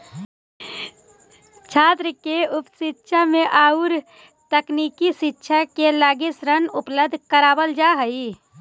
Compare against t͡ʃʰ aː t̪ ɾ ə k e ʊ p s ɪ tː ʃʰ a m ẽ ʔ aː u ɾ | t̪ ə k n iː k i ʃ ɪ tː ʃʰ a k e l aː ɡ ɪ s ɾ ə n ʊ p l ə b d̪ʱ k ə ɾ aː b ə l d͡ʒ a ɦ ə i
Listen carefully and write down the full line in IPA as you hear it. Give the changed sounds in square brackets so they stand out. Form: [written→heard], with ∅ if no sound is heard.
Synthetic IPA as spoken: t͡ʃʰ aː t̪ ɾ ə k e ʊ p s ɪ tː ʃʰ a m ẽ ʔ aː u ɾ | t̪ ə k n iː k i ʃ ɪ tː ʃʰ a k e l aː ɡ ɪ s ɾ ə n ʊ p l ə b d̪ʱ k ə ɾ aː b ə l d͡ʒ a ɦ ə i